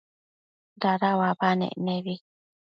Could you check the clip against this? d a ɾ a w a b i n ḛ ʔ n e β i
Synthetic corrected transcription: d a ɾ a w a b a n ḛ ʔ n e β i